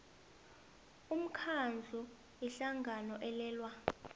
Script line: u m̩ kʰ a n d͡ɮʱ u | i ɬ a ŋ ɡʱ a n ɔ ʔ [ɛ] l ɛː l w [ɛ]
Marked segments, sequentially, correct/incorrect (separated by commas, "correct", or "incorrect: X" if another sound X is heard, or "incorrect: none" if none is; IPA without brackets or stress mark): correct, incorrect: a